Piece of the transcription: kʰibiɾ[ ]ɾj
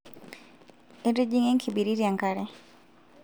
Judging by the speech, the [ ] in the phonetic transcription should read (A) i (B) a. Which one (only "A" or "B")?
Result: A